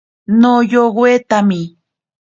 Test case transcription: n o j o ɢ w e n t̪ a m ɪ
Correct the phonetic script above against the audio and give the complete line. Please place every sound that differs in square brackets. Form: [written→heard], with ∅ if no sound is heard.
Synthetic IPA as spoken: n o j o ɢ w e [n→∅] t̪ a m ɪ